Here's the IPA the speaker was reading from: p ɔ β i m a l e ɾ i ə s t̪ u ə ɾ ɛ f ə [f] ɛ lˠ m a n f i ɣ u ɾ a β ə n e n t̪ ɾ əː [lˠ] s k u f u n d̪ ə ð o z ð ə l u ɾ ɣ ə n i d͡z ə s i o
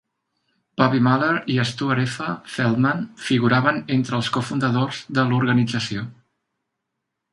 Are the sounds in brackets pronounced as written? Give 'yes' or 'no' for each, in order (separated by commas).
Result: yes, yes